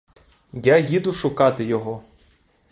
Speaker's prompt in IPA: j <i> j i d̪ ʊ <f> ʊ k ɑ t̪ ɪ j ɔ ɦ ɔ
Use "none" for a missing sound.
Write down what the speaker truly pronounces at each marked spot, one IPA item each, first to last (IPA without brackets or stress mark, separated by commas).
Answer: a, ʃ